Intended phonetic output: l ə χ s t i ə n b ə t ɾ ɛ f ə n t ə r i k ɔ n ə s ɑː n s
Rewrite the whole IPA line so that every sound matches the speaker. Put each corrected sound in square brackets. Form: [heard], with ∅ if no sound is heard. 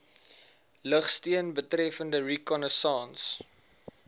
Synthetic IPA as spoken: l ə χ s t i ə n b ə t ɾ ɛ f ə n [d] ə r i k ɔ n ə s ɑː n s